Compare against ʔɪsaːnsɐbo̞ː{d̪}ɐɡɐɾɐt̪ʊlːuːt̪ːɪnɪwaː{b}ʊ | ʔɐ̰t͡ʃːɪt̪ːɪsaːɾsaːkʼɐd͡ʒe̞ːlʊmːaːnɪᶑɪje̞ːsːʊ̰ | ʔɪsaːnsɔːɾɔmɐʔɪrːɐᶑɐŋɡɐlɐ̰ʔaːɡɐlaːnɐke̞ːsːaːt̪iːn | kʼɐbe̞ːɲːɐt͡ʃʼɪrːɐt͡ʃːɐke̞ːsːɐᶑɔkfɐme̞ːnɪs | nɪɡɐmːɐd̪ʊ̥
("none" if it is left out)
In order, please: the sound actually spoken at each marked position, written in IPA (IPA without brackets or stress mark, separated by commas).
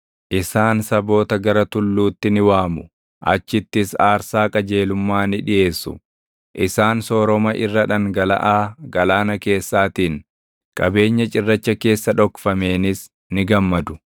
t̪, m